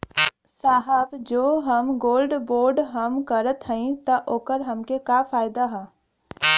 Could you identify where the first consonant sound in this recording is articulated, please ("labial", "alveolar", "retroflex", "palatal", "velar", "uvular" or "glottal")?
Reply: alveolar